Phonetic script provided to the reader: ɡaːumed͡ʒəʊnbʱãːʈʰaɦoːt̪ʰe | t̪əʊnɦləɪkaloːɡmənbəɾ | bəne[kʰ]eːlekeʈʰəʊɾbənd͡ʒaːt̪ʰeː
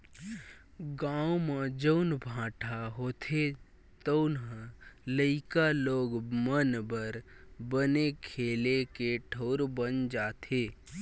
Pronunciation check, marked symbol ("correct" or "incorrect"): correct